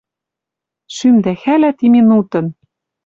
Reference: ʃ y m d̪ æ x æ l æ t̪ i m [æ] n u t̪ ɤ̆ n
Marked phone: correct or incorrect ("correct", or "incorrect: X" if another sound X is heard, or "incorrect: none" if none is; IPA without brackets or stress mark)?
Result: incorrect: i